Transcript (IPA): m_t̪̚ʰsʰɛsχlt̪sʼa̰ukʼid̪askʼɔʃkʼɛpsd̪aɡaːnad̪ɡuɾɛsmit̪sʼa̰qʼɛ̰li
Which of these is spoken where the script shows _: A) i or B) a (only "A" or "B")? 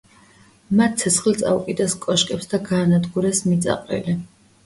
B